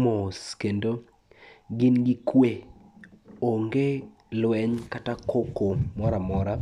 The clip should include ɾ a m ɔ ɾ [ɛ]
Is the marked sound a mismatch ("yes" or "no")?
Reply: yes